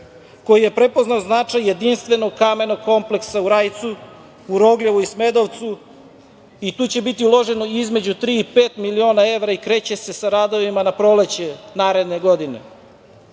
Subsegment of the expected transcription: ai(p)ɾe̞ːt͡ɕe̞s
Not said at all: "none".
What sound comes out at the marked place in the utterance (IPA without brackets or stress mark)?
k